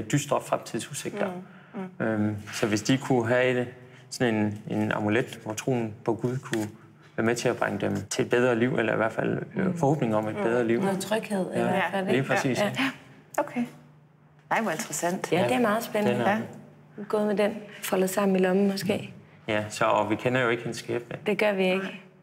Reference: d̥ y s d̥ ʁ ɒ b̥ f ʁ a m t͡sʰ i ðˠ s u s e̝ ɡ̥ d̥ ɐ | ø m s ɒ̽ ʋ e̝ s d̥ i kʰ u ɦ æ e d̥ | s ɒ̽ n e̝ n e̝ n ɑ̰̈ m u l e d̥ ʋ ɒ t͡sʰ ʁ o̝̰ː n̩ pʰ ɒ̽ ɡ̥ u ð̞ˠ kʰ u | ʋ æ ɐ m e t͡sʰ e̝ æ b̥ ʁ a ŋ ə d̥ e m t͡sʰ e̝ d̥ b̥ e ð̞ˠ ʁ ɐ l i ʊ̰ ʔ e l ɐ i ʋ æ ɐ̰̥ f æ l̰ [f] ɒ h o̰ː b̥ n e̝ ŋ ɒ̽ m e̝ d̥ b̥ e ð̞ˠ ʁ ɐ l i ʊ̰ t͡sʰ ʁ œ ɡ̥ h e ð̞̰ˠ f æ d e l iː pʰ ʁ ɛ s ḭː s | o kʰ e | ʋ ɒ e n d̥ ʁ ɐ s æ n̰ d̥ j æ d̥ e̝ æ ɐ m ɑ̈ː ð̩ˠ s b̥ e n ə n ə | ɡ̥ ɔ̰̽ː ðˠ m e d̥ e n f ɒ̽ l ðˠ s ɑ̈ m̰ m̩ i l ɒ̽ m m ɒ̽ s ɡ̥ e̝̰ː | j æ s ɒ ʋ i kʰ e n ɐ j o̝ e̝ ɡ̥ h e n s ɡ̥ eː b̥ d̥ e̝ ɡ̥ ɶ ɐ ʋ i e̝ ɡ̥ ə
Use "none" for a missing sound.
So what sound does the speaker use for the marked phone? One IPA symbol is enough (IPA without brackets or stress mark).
f